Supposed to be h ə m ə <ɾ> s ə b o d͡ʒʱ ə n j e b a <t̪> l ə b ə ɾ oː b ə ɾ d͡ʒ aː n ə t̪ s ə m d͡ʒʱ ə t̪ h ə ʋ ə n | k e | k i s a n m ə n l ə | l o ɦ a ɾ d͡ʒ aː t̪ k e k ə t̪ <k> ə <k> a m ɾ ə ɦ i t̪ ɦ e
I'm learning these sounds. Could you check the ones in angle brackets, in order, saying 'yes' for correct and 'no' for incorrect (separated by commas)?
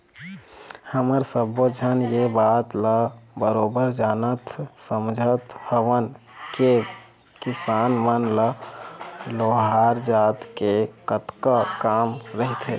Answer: yes, yes, yes, yes